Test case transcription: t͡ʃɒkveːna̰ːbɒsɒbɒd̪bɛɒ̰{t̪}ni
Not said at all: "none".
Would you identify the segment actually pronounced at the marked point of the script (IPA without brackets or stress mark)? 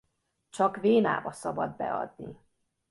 d̪